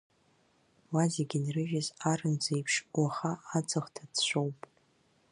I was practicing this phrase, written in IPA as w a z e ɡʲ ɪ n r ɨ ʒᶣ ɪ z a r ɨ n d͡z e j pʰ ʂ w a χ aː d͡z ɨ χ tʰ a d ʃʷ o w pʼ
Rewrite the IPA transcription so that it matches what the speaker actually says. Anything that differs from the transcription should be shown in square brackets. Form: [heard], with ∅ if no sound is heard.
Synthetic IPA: w a z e ɡʲ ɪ n r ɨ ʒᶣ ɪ z a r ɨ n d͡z e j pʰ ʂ w a χ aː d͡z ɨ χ tʰ a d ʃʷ o w pʼ

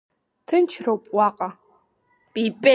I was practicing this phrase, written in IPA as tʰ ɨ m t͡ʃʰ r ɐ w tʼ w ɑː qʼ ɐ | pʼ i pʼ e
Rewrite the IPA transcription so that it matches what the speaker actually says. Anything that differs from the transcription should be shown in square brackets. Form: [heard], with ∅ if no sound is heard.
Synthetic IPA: tʰ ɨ [n] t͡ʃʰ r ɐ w [pʼ] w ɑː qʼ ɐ | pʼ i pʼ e

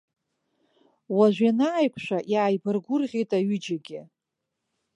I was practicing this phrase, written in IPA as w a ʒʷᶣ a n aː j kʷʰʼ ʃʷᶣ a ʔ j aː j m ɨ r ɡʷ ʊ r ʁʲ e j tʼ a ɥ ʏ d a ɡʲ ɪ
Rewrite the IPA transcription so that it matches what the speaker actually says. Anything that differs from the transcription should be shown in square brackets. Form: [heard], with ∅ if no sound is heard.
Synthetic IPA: w a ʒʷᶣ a n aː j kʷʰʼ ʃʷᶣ a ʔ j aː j [b] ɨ r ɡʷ ʊ r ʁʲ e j tʼ a ɥ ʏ [d͡ʒ] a ɡʲ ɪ

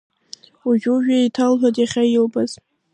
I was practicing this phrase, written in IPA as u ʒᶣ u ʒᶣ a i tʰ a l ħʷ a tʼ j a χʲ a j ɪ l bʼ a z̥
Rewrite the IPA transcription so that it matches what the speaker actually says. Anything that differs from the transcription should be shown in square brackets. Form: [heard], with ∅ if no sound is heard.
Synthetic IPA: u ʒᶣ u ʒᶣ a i tʰ a l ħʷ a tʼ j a χʲ a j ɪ l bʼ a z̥

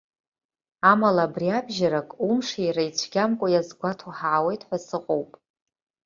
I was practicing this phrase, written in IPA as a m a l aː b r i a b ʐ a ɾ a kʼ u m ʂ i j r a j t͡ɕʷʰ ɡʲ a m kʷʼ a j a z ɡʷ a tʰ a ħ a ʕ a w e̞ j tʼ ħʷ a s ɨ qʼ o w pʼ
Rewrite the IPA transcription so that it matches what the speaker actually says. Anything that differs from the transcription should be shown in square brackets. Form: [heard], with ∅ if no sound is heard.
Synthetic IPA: a m a l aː b r i a b [ʒ] a ɾ a kʼ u m ʂ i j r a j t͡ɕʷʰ ɡʲ a m kʷʼ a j a z ɡʷ a tʰ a ħ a ʕ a w e̞ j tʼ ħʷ a s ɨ qʼ o w pʼ

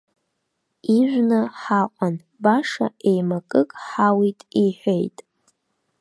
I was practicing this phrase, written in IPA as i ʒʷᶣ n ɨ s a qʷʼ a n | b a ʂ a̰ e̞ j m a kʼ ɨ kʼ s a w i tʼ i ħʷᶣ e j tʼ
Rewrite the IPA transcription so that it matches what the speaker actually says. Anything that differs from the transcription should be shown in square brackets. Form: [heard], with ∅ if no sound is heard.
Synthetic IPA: i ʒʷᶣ n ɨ [ħ] a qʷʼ a n | b a ʂ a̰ e̞ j m a kʼ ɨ kʼ [ħ] a w i tʼ i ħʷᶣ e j tʼ

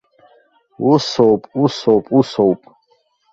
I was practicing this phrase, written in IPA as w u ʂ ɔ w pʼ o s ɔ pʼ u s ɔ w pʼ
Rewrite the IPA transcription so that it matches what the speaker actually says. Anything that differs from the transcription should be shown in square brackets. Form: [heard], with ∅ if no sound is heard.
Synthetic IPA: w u [s] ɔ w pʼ [u] s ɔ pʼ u s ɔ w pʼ

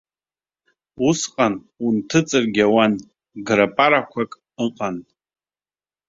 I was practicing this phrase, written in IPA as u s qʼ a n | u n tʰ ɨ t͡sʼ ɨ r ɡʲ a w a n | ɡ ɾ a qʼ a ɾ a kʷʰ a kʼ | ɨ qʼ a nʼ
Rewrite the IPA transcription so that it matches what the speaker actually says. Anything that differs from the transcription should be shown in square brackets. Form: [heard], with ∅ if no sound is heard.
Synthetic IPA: u s qʼ a n | u n tʰ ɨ t͡sʼ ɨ r ɡʲ a w a n | ɡ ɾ a [pʼ] a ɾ a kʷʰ a kʼ | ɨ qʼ a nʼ

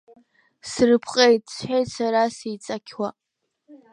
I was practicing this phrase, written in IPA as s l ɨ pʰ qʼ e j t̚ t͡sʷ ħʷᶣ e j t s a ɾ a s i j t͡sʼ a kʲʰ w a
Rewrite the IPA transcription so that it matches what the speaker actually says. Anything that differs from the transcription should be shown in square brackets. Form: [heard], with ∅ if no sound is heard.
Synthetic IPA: s [r] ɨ pʰ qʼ e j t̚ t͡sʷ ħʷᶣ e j t s a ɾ a s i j t͡sʼ a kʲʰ w a

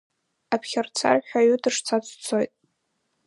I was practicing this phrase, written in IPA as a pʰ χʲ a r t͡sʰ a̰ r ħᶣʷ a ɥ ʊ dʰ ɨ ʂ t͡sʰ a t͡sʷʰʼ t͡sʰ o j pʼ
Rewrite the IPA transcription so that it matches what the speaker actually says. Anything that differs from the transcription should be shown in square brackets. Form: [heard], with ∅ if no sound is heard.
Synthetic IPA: a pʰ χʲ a r t͡sʰ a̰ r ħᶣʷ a ɥ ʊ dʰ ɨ ʂ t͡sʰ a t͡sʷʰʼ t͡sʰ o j [tʼ]

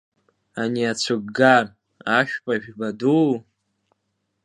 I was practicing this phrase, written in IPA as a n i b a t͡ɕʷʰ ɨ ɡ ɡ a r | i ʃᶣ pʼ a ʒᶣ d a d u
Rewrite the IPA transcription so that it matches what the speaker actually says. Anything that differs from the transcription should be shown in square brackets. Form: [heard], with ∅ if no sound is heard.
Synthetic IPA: a n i [∅] a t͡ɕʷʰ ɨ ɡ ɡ a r | [a] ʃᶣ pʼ a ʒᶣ [b] a d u

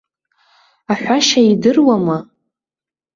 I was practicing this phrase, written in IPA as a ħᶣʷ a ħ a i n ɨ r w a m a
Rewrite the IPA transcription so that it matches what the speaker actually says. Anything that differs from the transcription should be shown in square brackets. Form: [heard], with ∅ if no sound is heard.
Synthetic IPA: a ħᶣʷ a [ʃ] a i [d] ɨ r w a m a

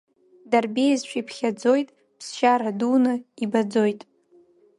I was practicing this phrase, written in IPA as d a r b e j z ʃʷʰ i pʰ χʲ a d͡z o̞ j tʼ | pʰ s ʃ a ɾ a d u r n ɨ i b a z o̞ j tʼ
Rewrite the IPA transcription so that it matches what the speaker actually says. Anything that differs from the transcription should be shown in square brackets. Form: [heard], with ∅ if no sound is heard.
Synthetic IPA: d a r b e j z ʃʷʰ i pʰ χʲ a d͡z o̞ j tʼ | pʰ s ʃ a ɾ a d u [∅] n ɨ i b a [d͡z] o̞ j tʼ

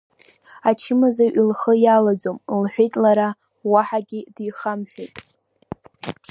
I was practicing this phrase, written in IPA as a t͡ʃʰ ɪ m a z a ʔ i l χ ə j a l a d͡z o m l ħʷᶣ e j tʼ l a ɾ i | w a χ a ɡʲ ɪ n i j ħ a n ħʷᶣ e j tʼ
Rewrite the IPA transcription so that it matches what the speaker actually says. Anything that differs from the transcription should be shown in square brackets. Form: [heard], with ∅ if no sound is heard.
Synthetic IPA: a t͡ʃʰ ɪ m a z a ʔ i l χ ə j a l a d͡z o m l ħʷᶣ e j tʼ l a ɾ [a] | w a [ħ] a ɡʲ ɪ [d] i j [χ] a [m] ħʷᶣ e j tʼ

